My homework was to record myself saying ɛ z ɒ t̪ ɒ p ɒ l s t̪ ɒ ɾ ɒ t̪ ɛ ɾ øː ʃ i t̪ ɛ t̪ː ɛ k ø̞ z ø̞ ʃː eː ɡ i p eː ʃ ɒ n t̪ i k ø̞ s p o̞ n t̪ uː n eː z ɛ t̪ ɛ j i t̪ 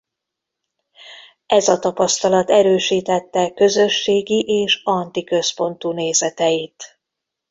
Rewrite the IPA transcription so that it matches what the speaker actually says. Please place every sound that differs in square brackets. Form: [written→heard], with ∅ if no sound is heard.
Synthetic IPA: ɛ z ɒ t̪ ɒ p ɒ [l→∅] s t̪ ɒ [ɾ→l] ɒ t̪ ɛ ɾ øː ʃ [i→iː] t̪ ɛ t̪ː ɛ k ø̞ z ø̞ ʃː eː ɡ i [p→ʔ] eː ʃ ɒ n t̪ i k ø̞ s p o̞ n t̪ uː n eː z ɛ t̪ ɛ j i t̪